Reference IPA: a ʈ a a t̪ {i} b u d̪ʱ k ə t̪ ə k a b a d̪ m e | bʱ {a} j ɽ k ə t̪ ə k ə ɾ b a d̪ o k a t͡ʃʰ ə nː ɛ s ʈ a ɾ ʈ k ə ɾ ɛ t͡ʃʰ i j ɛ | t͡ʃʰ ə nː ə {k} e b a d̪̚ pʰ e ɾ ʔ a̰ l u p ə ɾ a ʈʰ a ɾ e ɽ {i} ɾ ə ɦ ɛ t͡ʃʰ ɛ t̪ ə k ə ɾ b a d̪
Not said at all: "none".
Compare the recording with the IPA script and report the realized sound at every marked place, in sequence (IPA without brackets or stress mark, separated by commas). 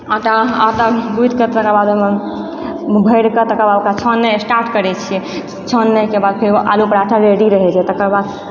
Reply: a, ə, k, i